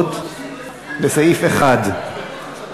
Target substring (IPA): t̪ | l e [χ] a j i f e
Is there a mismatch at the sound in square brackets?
yes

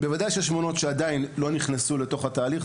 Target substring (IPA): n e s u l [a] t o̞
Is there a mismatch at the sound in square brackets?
yes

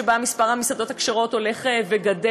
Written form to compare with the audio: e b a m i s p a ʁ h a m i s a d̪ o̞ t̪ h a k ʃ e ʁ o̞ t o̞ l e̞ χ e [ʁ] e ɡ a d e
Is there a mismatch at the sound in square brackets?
yes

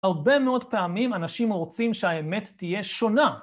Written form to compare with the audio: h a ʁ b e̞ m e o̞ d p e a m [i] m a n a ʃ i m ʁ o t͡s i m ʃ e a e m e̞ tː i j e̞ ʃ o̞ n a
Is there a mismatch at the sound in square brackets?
no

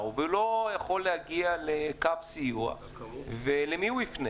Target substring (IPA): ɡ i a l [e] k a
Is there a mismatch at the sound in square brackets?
no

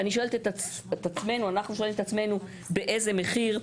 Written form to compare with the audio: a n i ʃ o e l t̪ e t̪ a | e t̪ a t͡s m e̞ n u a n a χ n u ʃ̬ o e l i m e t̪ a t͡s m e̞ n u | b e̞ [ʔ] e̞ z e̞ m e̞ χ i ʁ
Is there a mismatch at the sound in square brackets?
no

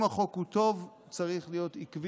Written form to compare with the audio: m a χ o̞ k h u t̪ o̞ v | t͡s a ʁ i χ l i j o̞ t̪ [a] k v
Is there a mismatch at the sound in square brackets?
yes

